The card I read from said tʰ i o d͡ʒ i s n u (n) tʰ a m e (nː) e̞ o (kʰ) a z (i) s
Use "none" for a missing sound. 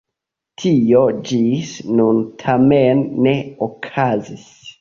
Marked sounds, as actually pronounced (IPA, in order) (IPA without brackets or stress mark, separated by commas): n, nː, kʰ, i